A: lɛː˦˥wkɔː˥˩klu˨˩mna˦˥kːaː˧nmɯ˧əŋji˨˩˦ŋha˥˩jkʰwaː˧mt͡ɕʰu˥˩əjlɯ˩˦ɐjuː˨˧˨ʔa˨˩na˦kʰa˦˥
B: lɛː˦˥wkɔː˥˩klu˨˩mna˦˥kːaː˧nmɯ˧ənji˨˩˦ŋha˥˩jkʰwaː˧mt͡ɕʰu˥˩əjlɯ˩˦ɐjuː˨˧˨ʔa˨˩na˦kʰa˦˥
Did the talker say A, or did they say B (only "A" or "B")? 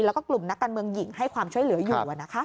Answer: A